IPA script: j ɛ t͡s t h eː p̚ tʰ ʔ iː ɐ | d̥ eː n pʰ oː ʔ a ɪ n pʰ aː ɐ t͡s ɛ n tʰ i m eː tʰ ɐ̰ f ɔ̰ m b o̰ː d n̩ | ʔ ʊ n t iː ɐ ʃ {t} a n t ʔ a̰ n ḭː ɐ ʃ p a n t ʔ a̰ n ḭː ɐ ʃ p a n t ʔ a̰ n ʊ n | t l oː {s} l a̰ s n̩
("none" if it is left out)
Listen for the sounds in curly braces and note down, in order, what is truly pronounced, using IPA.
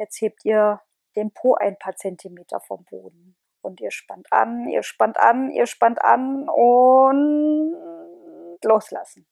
p, s

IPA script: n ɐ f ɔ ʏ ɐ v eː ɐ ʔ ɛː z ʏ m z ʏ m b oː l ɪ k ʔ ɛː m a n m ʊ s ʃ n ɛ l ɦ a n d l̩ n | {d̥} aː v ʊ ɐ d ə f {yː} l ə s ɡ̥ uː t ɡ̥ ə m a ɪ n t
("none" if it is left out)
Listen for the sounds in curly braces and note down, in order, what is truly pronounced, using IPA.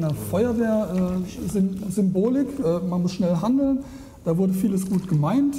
d̥, iː

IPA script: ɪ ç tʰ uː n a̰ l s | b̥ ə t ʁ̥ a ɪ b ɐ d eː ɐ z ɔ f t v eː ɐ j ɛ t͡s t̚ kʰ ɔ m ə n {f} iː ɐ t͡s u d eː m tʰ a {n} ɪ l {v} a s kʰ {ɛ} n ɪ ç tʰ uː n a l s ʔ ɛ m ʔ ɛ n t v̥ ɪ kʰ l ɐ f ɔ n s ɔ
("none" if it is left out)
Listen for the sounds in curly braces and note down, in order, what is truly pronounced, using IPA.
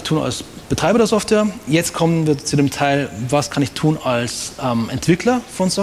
v, none, v, a

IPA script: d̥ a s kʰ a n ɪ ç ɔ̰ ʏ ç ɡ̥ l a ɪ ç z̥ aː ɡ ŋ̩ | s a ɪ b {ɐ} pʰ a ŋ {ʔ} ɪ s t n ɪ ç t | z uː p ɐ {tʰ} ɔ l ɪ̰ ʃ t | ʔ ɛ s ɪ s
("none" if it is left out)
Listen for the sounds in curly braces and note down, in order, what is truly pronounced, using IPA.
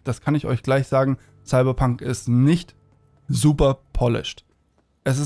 ɐ, k, pʰ

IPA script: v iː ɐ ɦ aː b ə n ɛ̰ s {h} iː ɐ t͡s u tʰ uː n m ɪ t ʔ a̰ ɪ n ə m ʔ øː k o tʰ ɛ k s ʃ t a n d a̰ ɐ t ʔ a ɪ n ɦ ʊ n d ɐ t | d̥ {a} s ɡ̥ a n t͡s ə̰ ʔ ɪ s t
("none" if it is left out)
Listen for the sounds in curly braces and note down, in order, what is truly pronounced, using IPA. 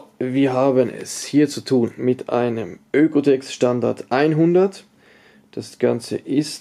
h, a

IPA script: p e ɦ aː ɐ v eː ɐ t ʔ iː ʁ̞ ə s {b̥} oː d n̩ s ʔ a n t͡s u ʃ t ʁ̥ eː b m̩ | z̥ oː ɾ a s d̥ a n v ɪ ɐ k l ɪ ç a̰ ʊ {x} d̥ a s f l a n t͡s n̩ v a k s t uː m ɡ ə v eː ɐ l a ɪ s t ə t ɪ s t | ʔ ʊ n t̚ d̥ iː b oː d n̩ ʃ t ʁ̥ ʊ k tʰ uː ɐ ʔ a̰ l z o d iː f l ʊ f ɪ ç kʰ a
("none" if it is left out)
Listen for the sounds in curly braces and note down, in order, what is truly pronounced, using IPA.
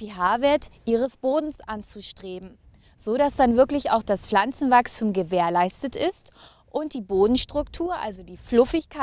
b̥, x

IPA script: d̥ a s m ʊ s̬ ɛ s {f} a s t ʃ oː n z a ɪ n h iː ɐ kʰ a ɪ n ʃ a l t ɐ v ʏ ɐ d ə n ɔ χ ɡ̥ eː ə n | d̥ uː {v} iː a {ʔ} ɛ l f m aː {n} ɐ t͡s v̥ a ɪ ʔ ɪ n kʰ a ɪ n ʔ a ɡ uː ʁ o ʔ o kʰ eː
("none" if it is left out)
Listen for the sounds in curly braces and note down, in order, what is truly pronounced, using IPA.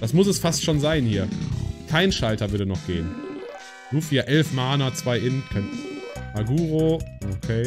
f, f, ʔ, n

